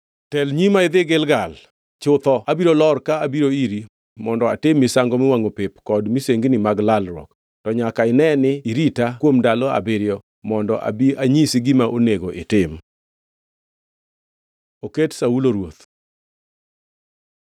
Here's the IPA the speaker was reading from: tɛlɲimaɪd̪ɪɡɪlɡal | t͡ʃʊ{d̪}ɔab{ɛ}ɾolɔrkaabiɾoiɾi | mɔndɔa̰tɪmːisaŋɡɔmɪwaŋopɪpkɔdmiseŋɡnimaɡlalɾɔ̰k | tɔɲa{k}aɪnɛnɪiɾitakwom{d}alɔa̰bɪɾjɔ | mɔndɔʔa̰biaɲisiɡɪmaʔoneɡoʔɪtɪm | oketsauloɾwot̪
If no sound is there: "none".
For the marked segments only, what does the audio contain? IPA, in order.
t̪, i, k, d

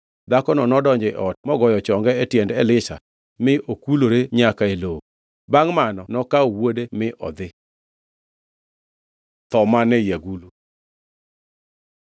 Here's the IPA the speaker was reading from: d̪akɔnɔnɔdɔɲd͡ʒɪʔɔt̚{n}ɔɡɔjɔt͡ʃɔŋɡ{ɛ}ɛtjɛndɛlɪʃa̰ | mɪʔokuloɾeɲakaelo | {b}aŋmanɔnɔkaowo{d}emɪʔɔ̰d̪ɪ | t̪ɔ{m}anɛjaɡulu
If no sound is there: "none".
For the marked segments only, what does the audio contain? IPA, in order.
m, ɛ, b, d, m

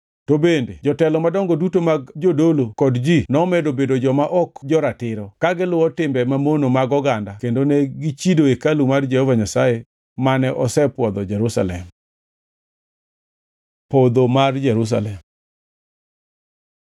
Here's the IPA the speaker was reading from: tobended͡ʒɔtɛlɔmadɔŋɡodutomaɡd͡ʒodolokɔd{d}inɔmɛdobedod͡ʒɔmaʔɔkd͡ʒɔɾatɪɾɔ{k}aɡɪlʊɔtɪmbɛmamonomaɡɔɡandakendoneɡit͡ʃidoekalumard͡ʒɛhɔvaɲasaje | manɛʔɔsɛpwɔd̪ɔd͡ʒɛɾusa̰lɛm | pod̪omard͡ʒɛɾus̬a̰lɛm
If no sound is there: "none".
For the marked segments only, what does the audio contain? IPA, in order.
d͡ʒ, k

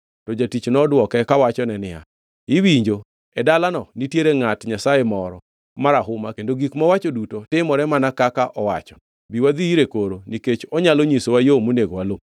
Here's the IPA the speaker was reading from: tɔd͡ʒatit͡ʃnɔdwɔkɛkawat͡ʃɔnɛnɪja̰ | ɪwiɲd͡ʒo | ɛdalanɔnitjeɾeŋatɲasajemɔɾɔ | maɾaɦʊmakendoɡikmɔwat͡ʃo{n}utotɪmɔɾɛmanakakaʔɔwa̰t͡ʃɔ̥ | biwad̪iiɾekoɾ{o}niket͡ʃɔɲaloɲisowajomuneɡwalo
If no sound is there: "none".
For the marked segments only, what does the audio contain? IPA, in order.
d, o

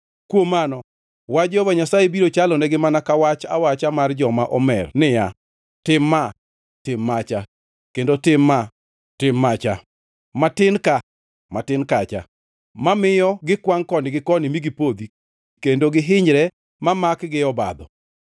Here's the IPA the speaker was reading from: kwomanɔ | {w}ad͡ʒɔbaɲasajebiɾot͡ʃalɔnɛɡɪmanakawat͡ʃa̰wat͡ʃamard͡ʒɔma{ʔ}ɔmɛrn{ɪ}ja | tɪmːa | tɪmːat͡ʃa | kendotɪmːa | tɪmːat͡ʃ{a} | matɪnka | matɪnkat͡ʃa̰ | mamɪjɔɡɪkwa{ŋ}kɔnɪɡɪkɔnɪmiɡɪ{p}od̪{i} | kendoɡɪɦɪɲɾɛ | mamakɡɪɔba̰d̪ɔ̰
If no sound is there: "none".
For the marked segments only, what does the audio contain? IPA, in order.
w, ʔ, ɪ, a, ŋ, p, i

